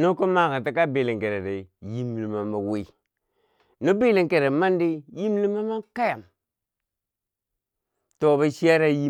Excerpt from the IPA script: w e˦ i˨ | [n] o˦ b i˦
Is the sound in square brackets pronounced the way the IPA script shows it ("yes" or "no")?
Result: yes